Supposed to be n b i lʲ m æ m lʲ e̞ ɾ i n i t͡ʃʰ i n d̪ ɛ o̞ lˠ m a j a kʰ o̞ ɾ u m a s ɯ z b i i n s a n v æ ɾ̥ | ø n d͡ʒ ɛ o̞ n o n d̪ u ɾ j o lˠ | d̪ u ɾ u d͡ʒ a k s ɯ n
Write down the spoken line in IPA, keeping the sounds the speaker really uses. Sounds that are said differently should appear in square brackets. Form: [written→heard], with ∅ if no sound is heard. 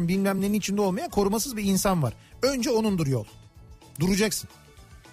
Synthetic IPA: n b i lʲ m æ m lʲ e̞ ɾ i n i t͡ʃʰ i n d̪ ɛ o̞ lˠ m a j a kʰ o̞ ɾ u m a s ɯ z b i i n s a n v [æ→a] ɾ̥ | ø n d͡ʒ ɛ o̞ n [o→u] n d̪ u ɾ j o lˠ | d̪ u ɾ u d͡ʒ a k s ɯ n